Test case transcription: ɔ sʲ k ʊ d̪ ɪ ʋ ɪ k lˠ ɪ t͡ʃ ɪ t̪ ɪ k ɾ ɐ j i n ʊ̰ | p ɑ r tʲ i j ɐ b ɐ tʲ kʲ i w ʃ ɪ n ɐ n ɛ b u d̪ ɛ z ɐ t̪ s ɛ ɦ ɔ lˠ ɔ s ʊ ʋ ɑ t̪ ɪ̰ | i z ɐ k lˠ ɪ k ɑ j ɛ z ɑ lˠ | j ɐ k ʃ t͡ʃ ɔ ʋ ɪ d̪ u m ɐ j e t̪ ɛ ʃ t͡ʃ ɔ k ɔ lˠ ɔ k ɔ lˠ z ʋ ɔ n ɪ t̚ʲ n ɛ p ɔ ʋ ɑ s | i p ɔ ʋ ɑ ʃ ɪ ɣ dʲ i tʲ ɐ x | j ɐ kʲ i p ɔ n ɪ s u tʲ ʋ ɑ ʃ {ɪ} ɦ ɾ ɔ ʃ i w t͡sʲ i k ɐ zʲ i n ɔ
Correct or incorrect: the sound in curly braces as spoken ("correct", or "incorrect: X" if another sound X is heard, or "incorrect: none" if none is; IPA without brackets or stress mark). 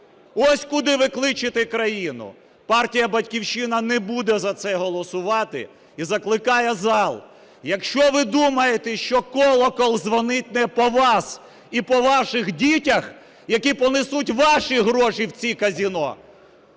incorrect: i